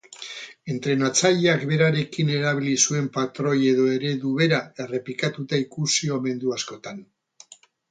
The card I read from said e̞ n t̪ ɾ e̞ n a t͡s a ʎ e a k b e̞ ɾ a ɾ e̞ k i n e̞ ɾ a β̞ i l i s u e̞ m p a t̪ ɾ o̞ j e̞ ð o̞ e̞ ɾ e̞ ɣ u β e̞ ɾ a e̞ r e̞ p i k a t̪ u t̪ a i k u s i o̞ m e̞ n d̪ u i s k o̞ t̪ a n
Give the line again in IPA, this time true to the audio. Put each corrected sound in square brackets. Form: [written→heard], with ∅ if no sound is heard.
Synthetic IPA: e̞ n t̪ ɾ e̞ n a t͡s a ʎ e a k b e̞ ɾ a ɾ e̞ k i n e̞ ɾ a β̞ i l i s u e̞ m p a t̪ ɾ o̞ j e̞ ð o̞ e̞ ɾ e̞ [ɣ→ð] u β e̞ ɾ a e̞ r e̞ p i k a t̪ u t̪ a i k u s i o̞ m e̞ n d̪ u [i→a] s k o̞ t̪ a n